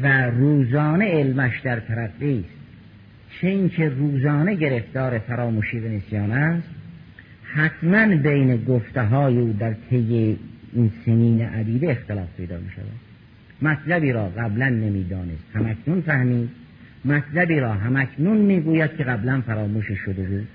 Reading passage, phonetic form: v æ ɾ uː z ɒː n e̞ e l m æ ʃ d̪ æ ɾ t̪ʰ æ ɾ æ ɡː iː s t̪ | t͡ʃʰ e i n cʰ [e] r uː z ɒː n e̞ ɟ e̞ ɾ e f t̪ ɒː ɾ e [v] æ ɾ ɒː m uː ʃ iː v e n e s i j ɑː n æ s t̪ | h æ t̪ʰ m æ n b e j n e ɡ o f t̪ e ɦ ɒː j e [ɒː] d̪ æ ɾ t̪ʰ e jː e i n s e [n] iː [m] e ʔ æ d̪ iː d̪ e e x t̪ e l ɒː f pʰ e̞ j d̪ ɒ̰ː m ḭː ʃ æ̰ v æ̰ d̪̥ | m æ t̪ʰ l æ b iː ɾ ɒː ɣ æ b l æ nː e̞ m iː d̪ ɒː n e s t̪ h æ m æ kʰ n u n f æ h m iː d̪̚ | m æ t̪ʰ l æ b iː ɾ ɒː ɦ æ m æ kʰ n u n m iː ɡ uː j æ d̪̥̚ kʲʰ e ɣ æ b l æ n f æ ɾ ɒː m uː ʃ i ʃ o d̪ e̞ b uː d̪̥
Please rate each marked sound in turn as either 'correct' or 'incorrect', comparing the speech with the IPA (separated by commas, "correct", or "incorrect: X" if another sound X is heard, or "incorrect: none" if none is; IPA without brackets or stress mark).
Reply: correct, incorrect: f, incorrect: uː, correct, incorrect: n